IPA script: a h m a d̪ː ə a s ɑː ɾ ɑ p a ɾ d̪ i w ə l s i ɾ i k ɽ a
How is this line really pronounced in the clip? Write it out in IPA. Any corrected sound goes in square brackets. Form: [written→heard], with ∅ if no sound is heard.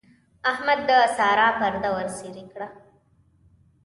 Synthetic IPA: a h m a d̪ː ə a s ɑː ɾ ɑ p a ɾ d̪ [i→a] w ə [l→ɾ] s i ɾ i k ɽ a